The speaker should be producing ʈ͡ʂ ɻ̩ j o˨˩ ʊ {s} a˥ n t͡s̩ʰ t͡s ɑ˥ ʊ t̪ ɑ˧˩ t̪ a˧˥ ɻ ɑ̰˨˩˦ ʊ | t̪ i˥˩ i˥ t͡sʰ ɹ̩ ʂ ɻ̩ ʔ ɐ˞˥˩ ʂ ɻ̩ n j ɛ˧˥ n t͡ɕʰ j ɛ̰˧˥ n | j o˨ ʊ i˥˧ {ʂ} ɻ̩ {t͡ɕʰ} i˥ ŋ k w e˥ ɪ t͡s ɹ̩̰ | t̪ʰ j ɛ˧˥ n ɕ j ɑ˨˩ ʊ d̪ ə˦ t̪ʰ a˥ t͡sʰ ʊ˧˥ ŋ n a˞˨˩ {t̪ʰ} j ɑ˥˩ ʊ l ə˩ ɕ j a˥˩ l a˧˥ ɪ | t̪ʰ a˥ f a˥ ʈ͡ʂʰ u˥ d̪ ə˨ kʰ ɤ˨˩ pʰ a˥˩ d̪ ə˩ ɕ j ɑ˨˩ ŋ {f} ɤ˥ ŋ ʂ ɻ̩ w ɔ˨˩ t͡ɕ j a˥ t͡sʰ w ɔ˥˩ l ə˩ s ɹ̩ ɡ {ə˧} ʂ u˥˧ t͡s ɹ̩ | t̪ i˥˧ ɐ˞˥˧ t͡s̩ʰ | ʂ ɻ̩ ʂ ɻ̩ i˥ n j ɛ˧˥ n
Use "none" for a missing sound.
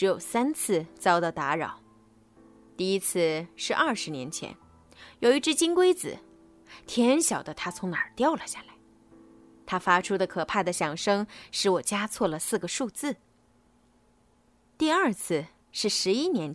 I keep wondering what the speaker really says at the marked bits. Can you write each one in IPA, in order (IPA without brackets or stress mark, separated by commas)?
s, ʈ͡ʂ, t͡ɕ, t̪, ʂ, ə˩